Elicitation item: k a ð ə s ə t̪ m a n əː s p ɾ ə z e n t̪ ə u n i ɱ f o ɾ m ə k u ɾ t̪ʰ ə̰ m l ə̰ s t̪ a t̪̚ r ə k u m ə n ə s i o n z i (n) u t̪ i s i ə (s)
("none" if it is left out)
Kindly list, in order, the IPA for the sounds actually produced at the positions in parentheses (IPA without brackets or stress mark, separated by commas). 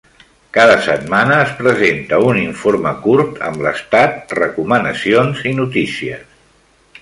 n, s